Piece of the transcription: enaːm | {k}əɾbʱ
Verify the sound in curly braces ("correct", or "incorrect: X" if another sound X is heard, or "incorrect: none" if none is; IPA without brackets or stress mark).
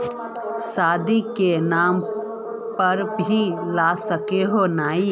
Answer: incorrect: p